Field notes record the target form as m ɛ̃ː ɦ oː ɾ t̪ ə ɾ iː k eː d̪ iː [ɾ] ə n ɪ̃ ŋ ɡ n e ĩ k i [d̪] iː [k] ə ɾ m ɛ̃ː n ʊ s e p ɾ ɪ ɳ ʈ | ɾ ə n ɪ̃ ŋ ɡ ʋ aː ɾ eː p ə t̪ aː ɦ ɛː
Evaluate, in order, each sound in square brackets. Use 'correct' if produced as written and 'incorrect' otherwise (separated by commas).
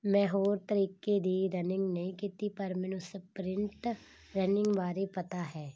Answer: correct, incorrect, incorrect